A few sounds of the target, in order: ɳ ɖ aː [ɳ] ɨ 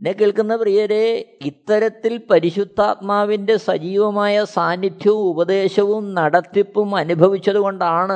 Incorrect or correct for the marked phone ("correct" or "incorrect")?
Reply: correct